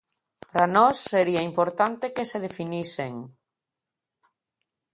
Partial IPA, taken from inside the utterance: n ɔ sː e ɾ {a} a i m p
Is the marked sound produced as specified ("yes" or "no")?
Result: no